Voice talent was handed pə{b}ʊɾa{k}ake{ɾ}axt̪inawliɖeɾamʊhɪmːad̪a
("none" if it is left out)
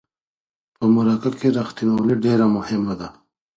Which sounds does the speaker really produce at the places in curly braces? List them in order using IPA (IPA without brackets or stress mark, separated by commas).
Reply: m, k, ɾ